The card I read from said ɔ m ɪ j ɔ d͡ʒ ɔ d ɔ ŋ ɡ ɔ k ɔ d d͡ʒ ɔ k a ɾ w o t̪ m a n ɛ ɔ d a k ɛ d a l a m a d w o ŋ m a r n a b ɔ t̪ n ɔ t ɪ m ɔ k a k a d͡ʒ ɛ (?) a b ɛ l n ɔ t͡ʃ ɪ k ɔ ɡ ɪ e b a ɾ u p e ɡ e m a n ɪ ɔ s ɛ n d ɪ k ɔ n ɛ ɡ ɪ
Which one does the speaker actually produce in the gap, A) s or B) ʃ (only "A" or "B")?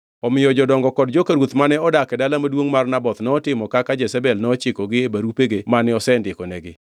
A